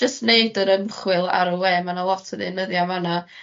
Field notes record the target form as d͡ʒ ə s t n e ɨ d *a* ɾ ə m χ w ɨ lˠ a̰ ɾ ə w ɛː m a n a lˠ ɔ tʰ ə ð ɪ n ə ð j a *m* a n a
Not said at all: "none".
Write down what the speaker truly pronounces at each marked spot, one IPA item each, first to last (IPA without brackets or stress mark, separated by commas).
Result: ə, m